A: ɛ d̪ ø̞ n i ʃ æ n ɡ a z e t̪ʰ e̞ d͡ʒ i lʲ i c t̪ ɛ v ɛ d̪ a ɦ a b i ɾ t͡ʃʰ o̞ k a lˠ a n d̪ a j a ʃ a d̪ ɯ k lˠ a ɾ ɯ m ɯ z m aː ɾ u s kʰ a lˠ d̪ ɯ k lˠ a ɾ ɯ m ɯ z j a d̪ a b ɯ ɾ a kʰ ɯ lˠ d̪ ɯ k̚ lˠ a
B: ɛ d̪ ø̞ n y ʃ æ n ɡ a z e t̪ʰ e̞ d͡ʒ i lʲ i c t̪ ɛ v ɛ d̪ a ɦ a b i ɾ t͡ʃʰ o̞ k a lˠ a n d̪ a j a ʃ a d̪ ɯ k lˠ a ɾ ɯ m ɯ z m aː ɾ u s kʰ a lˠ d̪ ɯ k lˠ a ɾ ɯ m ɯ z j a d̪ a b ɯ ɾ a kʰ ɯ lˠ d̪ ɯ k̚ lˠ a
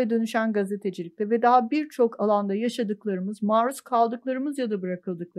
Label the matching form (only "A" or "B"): B